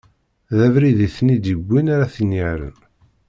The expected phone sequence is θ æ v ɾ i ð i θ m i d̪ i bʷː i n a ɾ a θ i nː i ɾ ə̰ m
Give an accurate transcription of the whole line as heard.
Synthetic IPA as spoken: ð æ v ɾ i ð i θ n i d̪ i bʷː i n a ɾ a θ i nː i ɾ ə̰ n